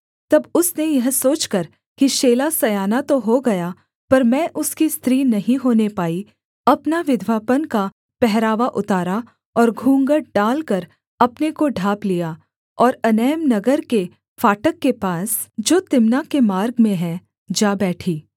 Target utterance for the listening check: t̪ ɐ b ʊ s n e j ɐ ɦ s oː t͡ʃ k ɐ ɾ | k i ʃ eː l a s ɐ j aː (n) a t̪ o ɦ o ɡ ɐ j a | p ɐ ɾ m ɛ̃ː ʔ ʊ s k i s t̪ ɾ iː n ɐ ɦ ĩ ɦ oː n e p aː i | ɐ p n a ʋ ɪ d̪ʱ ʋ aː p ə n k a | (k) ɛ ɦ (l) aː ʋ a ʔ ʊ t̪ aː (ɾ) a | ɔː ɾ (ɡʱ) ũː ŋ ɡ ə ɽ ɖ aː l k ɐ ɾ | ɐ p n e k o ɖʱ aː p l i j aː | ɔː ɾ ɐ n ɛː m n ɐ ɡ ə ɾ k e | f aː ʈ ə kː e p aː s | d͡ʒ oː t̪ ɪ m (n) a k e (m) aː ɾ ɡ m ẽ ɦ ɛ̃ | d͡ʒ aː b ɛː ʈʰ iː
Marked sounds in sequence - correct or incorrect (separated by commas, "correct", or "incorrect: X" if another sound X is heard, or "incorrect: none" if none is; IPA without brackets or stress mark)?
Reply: correct, incorrect: p, incorrect: ɾ, correct, correct, correct, correct